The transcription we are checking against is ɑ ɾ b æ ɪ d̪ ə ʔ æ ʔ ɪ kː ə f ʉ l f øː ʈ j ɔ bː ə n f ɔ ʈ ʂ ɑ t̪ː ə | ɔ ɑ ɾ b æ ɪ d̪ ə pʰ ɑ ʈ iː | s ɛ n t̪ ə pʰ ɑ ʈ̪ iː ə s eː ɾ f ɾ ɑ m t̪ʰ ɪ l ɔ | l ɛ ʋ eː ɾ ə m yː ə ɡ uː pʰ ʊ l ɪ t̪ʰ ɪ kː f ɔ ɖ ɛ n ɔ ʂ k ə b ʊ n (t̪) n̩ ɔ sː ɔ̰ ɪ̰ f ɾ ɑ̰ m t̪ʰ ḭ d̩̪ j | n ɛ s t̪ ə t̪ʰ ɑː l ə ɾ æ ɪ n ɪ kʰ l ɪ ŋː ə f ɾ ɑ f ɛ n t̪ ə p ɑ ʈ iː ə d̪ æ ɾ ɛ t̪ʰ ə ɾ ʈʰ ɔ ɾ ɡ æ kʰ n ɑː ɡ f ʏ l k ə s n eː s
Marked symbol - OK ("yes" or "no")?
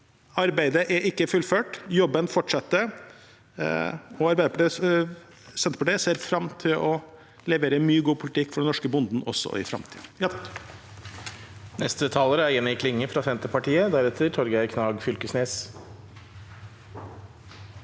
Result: no